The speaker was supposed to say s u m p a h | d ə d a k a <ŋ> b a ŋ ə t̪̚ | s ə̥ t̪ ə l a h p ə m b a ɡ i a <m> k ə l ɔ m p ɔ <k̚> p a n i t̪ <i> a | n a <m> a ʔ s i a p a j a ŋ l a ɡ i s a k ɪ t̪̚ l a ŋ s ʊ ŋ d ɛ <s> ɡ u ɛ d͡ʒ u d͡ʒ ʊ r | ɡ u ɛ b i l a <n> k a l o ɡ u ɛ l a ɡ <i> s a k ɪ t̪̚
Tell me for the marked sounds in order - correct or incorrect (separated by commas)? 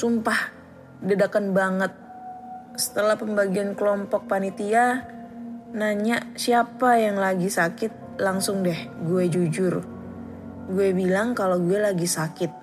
incorrect, incorrect, correct, correct, incorrect, incorrect, incorrect, correct